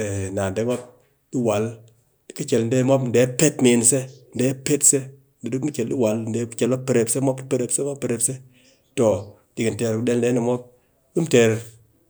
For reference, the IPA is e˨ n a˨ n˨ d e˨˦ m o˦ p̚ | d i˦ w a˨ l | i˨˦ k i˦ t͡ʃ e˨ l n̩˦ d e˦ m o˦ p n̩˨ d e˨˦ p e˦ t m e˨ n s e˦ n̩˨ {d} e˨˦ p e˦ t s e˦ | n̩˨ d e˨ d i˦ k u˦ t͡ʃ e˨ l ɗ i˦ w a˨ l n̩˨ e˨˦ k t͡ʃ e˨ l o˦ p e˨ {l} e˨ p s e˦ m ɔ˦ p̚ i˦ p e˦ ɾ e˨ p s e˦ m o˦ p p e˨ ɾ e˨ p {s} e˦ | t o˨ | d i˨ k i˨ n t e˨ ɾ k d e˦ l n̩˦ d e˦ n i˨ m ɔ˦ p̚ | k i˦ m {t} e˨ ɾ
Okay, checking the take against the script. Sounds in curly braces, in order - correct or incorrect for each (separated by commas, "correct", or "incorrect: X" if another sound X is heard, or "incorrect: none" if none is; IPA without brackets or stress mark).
correct, incorrect: ɾ, correct, correct